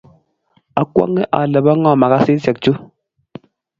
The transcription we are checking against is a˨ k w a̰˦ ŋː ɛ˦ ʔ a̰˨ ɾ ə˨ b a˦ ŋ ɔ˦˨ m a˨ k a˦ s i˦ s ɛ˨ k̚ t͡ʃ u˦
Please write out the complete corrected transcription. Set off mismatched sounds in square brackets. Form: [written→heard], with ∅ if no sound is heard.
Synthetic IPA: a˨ k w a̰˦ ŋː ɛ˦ ʔ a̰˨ [ɾ→l] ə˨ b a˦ ŋ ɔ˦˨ m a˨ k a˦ s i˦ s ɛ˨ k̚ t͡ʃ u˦